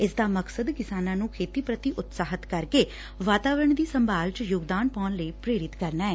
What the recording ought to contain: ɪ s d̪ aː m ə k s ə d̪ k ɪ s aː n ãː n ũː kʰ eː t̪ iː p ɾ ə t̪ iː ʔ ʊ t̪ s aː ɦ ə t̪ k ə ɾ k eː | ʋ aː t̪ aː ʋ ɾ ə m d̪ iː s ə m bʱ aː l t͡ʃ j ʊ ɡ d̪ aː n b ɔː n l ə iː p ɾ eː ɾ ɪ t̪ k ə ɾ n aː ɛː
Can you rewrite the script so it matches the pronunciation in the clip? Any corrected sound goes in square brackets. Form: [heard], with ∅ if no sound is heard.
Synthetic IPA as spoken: ɪ s d̪ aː m ə k s ə d̪ k ɪ s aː n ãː n ũː kʰ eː t̪ iː p ɾ ə t̪ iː ʔ ʊ t̪ s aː ɦ ə t̪ k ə ɾ k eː | ʋ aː t̪ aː ʋ ɾ ə [ɳ] d̪ iː s ə m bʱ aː l t͡ʃ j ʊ ɡ d̪ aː n [p] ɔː n l ə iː p ɾ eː ɾ ɪ t̪ k ə ɾ n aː ɛː